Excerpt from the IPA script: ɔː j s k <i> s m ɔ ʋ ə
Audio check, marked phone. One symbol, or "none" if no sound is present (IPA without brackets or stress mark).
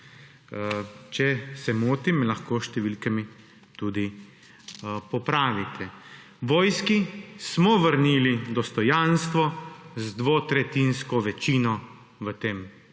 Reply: i